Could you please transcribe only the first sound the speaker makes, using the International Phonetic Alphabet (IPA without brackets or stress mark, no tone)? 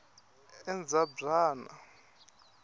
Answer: ɛ